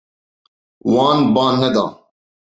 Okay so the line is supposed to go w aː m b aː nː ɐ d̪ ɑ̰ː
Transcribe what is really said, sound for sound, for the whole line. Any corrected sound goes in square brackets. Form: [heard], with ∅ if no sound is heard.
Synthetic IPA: w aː [n] b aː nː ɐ d̪ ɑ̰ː